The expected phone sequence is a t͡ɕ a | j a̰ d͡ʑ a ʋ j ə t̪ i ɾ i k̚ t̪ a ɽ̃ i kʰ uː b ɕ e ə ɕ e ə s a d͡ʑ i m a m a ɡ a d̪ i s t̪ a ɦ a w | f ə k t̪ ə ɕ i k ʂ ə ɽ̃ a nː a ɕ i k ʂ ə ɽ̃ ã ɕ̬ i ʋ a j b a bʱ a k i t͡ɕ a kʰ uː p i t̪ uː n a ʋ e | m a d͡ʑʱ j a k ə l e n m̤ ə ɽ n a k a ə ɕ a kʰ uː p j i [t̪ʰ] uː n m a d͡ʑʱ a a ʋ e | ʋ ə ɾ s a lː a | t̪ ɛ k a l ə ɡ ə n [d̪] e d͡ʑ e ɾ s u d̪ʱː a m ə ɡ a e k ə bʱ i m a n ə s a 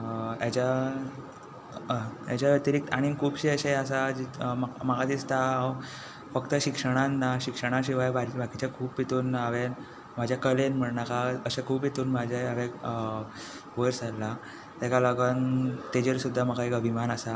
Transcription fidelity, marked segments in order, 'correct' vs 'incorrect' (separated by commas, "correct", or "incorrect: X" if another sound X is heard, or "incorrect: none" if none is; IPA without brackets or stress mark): incorrect: t̪, incorrect: t̪